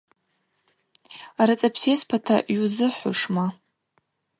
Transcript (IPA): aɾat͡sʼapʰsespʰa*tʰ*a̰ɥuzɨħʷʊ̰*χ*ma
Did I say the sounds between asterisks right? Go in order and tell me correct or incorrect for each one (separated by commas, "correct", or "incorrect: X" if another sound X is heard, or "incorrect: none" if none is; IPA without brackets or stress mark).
correct, incorrect: ʂ